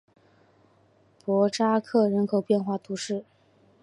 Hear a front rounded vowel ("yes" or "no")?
no